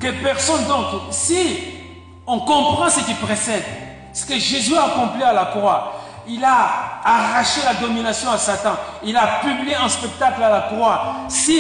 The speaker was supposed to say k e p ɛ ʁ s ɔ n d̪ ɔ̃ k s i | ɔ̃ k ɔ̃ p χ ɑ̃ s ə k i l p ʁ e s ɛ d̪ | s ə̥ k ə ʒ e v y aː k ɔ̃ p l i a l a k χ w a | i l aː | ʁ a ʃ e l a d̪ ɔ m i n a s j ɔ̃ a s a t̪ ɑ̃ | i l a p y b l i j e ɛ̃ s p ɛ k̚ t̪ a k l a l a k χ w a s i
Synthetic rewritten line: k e p ɛ ʁ s ɔ n d̪ ɔ̃ k s i | ɔ̃ k ɔ̃ p χ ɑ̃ s ə k i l p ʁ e s ɛ d̪ | s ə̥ k ə ʒ e z y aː k ɔ̃ p l i a l a k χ w a | i l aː | ʁ a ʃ e l a d̪ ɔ m i n a s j ɔ̃ a s a t̪ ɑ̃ | i l a p y b l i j e ɛ̃ s p ɛ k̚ t̪ a k l a l a k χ w a s i